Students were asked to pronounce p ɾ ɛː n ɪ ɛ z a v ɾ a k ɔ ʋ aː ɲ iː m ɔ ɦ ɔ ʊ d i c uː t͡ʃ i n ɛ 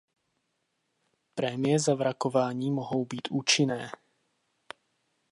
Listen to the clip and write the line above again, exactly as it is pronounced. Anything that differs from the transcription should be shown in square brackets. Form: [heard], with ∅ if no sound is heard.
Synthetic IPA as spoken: p ɾ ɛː [m] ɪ ɛ z a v ɾ a k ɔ ʋ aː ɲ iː m ɔ ɦ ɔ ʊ [b] i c uː t͡ʃ i n [ɛː]